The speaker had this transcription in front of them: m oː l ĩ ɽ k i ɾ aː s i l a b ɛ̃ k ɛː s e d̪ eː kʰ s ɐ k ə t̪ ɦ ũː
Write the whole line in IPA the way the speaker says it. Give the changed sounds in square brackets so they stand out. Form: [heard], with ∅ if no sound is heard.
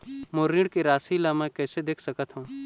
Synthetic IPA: m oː [ɾ] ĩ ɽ k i ɾ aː s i l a [m] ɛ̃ k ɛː s e d̪ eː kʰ s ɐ k ə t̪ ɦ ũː